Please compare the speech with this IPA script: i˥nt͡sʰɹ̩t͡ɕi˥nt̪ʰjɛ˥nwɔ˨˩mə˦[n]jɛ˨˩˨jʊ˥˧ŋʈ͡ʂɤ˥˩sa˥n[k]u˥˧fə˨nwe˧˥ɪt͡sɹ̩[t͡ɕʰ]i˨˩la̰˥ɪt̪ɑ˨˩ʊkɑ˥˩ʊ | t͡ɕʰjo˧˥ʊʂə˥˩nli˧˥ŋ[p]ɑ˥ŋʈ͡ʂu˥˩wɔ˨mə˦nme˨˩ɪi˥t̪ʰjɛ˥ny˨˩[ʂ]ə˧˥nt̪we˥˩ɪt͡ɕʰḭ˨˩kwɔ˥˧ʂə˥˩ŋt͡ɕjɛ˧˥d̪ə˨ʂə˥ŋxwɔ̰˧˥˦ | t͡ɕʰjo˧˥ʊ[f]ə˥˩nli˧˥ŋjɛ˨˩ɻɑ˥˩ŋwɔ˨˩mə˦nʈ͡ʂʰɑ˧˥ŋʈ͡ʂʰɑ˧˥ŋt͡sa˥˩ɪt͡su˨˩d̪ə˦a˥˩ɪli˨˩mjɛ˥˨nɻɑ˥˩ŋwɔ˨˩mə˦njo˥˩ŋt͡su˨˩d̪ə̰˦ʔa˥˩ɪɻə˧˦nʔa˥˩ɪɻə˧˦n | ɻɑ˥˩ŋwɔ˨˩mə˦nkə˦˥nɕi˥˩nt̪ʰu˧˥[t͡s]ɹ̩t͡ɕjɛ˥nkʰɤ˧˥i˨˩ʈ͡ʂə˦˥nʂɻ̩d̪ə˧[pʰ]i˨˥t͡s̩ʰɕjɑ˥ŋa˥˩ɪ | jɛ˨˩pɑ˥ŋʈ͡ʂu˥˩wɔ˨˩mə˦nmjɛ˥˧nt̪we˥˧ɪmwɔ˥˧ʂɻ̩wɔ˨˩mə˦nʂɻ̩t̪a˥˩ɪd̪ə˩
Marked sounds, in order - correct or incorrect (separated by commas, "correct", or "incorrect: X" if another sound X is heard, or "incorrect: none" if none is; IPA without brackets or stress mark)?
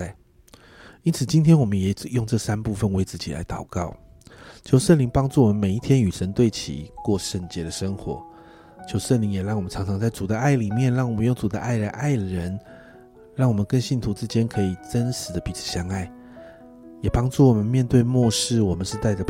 correct, incorrect: p, incorrect: t͡ɕ, correct, correct, incorrect: ʂ, correct, incorrect: p